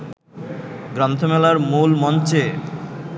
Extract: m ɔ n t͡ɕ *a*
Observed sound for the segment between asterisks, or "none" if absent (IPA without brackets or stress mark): e